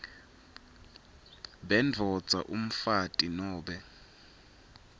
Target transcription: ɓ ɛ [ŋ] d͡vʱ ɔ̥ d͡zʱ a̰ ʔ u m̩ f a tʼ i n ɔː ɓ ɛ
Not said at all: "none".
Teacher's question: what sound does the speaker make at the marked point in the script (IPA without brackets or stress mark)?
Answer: n